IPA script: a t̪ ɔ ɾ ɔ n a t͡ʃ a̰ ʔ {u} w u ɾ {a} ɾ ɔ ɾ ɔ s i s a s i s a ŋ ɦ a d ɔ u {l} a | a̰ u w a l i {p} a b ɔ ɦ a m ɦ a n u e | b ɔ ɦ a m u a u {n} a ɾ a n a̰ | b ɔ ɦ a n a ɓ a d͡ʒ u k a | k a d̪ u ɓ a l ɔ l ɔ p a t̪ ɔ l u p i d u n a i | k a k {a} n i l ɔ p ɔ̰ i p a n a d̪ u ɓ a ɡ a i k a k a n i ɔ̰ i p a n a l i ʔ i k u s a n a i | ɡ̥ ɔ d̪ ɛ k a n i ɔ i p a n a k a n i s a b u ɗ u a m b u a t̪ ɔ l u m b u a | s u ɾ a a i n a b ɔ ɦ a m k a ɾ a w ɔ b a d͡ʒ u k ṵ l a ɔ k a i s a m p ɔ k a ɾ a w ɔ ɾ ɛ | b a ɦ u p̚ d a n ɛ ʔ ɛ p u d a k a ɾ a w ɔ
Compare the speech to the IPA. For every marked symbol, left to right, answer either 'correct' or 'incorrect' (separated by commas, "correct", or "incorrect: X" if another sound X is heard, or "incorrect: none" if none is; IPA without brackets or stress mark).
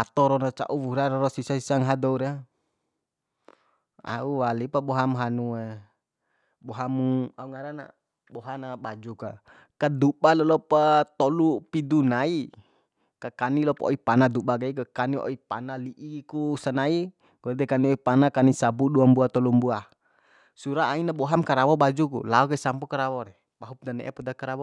correct, correct, incorrect: ɾ, correct, incorrect: ŋ, correct